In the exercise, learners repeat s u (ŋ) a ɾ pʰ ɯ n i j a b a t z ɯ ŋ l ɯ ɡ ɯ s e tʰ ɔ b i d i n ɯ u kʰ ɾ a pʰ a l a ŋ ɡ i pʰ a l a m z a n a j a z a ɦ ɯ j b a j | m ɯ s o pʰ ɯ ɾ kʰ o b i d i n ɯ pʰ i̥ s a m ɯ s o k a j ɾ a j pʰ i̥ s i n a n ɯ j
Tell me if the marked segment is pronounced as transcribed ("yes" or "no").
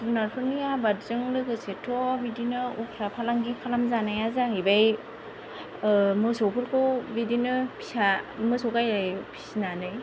no